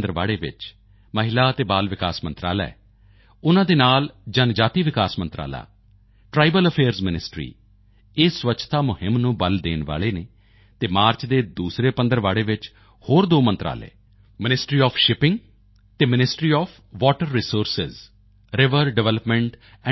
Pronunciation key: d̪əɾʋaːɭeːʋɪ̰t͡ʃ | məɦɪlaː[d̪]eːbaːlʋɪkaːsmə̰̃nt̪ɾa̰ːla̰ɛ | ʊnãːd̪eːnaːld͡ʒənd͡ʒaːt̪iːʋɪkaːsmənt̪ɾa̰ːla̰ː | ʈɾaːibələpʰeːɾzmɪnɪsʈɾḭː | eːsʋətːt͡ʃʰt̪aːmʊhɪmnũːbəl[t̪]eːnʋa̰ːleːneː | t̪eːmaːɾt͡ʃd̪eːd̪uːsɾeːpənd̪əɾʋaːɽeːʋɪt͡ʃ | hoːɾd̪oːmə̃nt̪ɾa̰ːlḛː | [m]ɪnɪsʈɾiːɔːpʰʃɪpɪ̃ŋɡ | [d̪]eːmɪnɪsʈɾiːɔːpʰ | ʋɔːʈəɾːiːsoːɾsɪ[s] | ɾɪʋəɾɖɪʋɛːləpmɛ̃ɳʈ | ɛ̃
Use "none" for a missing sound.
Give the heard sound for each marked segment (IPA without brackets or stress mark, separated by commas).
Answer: t̪, d̪, m, t̪, z